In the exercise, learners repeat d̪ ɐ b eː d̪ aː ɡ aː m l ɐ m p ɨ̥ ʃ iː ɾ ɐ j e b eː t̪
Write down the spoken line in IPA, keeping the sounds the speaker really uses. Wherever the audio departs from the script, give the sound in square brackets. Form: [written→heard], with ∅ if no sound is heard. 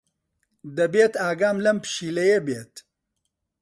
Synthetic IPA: d̪ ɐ b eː [d̪→t̪] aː ɡ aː m l ɐ m p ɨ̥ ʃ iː [ɾ→l] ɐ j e b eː t̪